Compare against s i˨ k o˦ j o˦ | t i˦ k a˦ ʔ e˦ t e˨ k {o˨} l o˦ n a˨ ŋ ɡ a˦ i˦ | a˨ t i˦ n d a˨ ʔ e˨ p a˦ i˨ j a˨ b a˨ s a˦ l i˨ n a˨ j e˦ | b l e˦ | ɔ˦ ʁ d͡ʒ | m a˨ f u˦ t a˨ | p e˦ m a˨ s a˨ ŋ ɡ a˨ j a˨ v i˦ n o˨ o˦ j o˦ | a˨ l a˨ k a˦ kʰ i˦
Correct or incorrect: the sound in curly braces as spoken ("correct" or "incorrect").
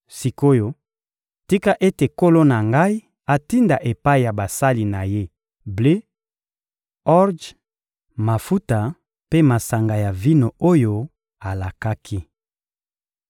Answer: incorrect